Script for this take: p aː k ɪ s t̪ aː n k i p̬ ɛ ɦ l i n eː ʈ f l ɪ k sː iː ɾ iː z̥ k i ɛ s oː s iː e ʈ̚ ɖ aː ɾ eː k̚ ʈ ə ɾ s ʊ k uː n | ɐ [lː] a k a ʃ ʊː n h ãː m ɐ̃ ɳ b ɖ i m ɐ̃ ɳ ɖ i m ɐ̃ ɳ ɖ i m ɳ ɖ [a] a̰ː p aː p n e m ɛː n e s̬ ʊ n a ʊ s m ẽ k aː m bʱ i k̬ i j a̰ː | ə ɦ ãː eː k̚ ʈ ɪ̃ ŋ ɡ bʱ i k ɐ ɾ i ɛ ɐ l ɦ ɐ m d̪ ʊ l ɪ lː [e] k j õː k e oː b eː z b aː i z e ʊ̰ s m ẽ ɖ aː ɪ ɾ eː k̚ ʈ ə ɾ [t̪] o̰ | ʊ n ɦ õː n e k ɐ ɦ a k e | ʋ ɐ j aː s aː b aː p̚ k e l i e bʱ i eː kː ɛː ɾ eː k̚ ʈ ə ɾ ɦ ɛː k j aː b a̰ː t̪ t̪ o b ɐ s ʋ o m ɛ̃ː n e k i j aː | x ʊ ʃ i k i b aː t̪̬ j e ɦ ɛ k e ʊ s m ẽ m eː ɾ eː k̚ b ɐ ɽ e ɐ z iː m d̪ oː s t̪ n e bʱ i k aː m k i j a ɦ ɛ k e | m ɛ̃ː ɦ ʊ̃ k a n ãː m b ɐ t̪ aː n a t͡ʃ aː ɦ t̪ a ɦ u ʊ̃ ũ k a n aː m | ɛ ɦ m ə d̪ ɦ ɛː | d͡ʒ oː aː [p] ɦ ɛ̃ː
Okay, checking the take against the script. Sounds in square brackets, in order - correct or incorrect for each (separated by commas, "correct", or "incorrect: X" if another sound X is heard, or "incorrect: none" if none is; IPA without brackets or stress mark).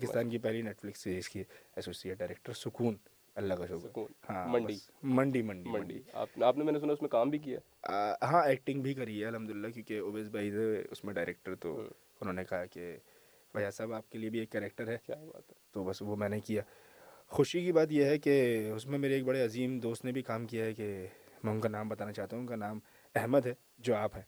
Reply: correct, incorrect: i, incorrect: a, correct, correct